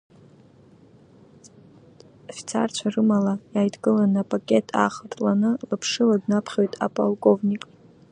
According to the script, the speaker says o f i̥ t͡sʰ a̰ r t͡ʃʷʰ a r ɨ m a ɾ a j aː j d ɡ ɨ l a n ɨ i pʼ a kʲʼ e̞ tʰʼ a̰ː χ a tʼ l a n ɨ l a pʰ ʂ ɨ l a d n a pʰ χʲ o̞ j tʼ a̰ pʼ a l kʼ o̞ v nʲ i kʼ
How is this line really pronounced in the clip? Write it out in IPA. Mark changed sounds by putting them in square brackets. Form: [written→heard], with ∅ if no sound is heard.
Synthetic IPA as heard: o f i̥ t͡sʰ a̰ r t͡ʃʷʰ a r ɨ m a [ɾ→l] a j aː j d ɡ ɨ l a n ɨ [i→a] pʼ a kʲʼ e̞ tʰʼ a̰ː χ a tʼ l a n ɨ l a pʰ ʂ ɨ l a d n a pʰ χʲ o̞ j tʼ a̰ pʼ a l kʼ o̞ v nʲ i kʼ